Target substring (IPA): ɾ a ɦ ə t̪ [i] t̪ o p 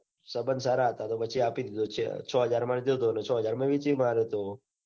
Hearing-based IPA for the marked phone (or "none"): a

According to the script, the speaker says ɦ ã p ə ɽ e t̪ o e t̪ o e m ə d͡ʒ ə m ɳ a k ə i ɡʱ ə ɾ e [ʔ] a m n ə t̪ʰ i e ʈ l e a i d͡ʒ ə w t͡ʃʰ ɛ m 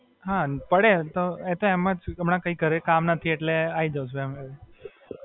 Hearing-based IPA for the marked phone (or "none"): k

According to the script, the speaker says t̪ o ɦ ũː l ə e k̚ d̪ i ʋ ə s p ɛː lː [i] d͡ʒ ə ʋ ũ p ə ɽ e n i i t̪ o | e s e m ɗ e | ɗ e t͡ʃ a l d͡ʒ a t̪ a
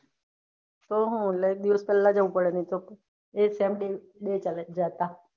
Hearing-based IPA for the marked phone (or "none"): a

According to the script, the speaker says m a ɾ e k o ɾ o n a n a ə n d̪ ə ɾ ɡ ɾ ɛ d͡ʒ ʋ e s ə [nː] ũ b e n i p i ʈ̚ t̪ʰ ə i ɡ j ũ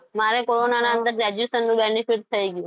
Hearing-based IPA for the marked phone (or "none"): nː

